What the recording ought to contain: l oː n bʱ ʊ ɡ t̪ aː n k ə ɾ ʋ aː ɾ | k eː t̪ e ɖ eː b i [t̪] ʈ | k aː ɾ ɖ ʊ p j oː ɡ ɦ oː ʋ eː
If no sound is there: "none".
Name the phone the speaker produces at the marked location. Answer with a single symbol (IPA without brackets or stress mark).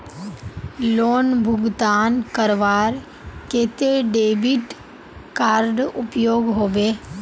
none